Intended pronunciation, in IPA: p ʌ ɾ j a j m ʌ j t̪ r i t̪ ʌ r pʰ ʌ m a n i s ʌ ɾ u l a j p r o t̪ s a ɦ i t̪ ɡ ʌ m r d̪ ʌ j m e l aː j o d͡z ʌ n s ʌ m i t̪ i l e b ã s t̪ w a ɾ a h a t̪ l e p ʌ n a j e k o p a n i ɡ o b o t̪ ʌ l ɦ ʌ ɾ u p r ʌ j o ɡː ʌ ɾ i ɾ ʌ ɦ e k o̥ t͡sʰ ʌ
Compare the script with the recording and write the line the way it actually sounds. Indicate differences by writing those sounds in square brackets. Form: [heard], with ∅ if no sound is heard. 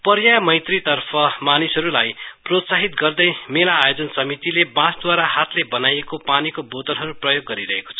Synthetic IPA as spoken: p ʌ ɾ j a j m ʌ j t̪ r i t̪ ʌ r pʰ ʌ m a n i s ʌ ɾ u l a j p r o t̪ s a ɦ i t̪ ɡ ʌ [∅] r d̪ ʌ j m e l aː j o d͡z ʌ n s ʌ m i t̪ i l e b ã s [d̪] w a ɾ a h a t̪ l e [b] ʌ n a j e k o p a n i [k] o b o t̪ ʌ l ɦ ʌ ɾ u p r ʌ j o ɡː ʌ ɾ i ɾ ʌ ɦ e k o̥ t͡sʰ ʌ